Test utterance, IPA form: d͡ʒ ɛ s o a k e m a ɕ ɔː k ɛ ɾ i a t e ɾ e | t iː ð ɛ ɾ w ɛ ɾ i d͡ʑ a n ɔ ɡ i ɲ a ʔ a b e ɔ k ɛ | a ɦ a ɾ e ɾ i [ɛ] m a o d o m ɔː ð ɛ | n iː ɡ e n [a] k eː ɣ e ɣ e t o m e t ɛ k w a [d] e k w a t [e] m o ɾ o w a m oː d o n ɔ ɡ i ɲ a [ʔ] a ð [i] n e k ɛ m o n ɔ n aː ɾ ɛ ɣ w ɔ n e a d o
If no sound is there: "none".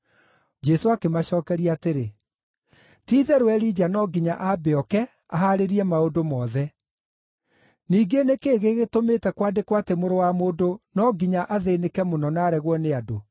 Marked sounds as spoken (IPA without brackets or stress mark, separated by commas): ɛ, e, d, e, ʔ, e